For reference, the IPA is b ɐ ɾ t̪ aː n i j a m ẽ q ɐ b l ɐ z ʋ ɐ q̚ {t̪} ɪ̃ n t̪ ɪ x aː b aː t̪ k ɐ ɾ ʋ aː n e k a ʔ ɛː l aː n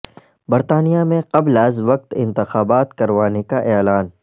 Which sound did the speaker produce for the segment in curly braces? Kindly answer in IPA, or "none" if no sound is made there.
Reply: t̪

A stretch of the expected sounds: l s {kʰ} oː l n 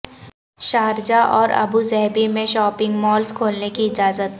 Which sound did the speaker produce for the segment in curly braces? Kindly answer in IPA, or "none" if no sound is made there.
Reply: kʰ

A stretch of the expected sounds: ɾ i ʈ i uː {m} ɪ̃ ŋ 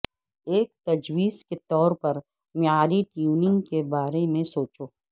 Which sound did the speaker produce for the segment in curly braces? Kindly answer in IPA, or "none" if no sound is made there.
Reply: n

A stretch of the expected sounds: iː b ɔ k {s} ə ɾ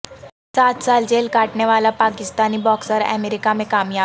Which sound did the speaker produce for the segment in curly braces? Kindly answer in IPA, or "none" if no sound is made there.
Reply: s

